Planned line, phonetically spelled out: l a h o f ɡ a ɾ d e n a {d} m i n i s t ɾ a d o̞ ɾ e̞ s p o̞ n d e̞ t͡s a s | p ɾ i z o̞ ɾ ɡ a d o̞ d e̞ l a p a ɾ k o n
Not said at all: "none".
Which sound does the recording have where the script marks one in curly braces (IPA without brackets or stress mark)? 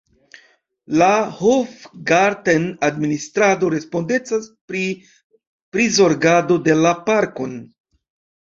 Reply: d